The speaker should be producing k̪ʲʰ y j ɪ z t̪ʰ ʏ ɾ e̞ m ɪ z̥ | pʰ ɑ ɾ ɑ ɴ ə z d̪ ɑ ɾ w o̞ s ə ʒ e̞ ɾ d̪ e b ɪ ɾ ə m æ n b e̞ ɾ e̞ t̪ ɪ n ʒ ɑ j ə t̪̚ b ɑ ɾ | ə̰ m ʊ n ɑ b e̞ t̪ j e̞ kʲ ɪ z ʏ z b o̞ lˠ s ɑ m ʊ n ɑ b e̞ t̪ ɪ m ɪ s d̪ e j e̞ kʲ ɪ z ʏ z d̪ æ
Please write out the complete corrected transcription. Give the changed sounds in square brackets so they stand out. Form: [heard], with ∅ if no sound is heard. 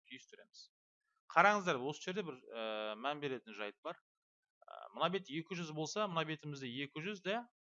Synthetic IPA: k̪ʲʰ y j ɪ [s] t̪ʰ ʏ ɾ e̞ m ɪ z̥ | [qʰ] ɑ ɾ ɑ ɴ ə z d̪ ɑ ɾ w o̞ s ə ʒ e̞ ɾ d̪ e b ɪ ɾ ə m æ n b e̞ ɾ e̞ t̪ ɪ n ʒ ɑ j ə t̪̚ b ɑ ɾ | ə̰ m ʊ n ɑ b e̞ t̪ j e̞ kʲ ɪ [ʒ] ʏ z b o̞ lˠ s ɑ m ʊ n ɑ b e̞ t̪ ɪ m ɪ [z] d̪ e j e̞ kʲ ɪ [ʒ] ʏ z d̪ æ